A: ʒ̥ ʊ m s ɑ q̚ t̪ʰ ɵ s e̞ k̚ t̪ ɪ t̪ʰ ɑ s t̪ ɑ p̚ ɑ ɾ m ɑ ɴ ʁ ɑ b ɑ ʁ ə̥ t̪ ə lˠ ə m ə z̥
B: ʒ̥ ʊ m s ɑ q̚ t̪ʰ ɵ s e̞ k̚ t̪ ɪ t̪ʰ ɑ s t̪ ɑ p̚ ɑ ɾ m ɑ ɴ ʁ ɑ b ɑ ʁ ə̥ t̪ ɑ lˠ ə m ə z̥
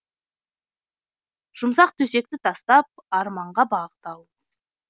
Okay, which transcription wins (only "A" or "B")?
B